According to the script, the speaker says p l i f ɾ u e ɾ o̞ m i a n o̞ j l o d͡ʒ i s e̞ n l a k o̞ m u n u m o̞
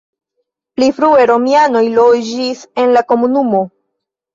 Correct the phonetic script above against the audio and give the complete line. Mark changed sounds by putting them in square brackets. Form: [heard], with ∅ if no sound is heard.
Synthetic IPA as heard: p l i f ɾ u e ɾ o̞ m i a n o̞ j l o d͡ʒ i s e̞ n l a k o̞ m u n u m o̞